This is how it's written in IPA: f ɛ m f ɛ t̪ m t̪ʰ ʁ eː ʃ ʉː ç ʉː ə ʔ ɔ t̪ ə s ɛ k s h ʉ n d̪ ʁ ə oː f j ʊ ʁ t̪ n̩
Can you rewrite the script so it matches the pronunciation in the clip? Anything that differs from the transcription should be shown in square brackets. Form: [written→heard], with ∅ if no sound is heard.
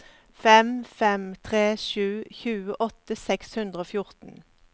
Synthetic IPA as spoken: f ɛ m f ɛ [t̪→∅] m t̪ʰ ʁ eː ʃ ʉː ç ʉː ə ʔ ɔ t̪ ə s ɛ k s h ʉ n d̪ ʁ ə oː f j ʊ ʁ t̪ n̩